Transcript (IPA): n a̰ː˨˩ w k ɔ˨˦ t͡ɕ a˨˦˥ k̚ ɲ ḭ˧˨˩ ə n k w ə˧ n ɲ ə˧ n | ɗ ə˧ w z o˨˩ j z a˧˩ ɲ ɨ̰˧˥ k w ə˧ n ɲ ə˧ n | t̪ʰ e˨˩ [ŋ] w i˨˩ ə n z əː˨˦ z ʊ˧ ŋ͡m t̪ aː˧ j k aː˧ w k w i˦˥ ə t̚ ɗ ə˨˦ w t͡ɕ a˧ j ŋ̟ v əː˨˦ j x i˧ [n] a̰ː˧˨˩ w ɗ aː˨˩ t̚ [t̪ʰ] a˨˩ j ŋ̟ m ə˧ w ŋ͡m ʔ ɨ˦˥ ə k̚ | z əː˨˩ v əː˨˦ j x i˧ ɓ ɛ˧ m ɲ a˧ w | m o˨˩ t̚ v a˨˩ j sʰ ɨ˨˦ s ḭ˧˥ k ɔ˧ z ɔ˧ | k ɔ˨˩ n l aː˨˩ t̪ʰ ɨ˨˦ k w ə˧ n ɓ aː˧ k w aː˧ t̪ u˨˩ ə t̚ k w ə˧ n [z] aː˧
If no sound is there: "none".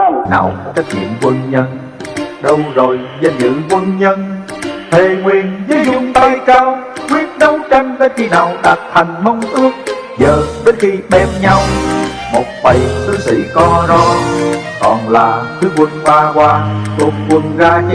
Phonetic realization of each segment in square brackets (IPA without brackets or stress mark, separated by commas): ŋ, n, t̪ʰ, z